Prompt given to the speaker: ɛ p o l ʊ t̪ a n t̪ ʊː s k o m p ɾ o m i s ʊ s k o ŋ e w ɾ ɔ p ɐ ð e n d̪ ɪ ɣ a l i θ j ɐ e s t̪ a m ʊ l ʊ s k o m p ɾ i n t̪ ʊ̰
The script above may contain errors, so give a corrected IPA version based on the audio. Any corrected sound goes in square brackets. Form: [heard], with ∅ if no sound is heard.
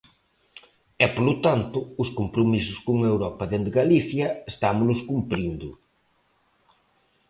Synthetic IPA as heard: ɛ p o l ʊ t̪ a n t̪ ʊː s k o m p ɾ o m i s ʊ s k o ŋ e w ɾ ɔ p ɐ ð e n d̪ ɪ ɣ a l i θ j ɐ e s t̪ a m ʊ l ʊ s k [u] m p ɾ i n [d̪] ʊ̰